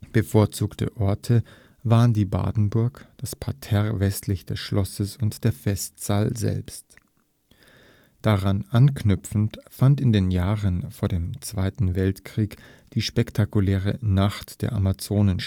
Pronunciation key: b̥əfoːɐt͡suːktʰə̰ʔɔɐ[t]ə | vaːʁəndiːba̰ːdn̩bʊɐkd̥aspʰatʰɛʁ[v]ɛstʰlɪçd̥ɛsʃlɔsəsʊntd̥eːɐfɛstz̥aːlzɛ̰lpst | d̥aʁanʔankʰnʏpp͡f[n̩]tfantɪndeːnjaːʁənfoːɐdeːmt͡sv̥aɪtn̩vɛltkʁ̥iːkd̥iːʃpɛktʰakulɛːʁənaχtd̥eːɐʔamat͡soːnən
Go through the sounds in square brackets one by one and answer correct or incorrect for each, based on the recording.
incorrect, correct, correct

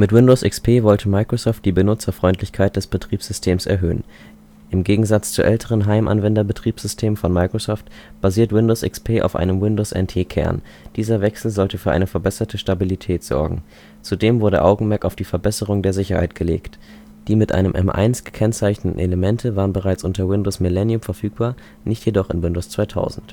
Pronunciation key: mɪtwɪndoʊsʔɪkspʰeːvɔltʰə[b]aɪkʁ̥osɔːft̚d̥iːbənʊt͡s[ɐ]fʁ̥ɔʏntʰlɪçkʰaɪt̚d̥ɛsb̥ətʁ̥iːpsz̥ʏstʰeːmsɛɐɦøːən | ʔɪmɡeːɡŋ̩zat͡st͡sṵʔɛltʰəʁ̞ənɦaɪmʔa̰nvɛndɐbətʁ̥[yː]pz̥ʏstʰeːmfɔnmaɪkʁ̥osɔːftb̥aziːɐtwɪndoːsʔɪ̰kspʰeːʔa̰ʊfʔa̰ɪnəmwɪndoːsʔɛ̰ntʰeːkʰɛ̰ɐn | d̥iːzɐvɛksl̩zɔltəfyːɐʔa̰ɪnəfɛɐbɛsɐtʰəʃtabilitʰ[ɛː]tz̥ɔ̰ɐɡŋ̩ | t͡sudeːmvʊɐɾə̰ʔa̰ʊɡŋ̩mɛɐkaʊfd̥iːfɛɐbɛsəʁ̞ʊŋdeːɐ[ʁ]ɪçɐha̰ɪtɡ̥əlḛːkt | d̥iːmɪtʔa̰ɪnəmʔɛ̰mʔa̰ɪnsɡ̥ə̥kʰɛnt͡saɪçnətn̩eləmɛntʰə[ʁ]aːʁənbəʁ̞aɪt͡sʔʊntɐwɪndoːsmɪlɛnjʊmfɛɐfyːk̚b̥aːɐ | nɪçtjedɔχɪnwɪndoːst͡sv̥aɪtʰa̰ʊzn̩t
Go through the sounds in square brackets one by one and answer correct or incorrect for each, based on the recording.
incorrect, correct, incorrect, correct, incorrect, incorrect

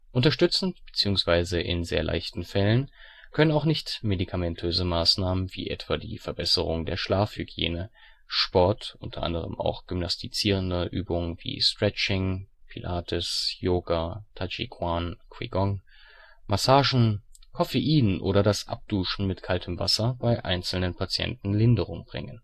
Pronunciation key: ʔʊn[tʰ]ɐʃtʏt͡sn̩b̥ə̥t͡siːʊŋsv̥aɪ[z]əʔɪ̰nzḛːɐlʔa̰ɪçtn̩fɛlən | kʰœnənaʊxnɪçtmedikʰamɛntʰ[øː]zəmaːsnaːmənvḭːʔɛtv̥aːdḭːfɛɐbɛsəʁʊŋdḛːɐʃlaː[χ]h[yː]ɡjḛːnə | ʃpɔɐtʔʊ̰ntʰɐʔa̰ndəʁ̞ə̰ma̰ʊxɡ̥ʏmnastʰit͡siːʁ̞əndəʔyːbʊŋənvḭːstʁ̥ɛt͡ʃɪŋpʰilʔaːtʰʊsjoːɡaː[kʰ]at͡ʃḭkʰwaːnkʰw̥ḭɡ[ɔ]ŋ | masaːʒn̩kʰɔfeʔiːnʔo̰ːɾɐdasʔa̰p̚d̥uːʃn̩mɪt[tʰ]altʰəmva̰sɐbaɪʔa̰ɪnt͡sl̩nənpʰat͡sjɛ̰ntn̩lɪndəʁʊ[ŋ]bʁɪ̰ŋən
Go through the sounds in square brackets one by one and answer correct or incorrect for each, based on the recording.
incorrect, correct, correct, incorrect, incorrect, incorrect, correct, incorrect, correct

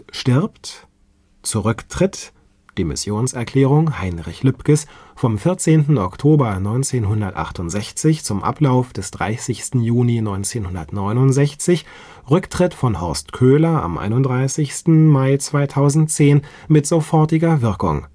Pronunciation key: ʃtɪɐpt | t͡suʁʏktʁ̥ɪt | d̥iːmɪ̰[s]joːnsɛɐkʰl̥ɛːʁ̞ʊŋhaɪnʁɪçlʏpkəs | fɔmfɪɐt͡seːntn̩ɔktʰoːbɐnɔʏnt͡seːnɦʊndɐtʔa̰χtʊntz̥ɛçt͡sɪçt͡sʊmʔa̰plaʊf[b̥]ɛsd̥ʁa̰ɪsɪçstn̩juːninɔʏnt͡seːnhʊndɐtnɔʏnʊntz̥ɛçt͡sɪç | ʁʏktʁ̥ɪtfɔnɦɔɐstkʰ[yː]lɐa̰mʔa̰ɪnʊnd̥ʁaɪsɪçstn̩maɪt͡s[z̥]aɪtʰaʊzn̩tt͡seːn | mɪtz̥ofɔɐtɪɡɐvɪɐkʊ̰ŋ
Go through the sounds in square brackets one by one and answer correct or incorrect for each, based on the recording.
correct, incorrect, incorrect, incorrect

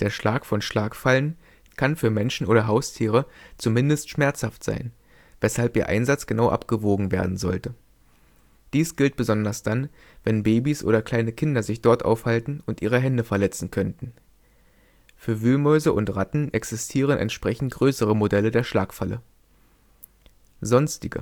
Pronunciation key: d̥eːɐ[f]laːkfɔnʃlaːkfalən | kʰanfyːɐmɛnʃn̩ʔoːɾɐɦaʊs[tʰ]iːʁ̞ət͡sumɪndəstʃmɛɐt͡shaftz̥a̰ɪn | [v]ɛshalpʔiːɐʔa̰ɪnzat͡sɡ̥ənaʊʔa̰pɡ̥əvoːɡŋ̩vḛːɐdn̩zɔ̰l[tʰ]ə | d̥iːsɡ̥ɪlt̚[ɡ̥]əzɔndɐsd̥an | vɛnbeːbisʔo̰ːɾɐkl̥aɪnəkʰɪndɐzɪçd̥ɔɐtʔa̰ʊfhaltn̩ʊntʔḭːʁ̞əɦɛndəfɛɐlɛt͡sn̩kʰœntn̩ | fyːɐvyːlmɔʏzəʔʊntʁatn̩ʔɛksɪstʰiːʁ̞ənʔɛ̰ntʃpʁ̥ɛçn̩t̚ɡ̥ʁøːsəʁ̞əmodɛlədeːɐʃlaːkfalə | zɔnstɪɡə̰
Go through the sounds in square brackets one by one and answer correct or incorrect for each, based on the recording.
incorrect, correct, correct, incorrect, incorrect

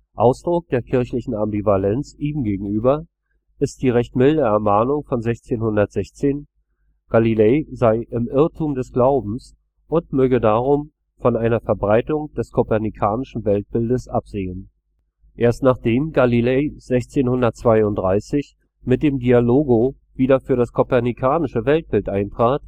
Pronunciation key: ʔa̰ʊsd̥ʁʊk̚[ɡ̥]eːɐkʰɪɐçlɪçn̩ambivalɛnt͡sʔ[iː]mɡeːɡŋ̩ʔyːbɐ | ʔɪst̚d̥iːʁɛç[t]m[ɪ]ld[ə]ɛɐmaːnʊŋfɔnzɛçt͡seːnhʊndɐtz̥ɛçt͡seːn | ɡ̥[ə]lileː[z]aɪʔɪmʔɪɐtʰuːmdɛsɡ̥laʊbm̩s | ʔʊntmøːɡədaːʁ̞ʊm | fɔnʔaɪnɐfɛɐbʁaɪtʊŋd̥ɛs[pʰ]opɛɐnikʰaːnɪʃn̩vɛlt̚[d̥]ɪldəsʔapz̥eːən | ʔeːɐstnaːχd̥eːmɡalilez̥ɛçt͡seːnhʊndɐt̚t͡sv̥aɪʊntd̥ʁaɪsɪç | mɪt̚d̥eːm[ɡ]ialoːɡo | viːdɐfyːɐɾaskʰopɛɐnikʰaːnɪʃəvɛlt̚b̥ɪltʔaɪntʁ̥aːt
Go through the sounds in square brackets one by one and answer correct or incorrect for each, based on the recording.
incorrect, correct, correct, correct, correct, incorrect, correct, incorrect, incorrect, incorrect

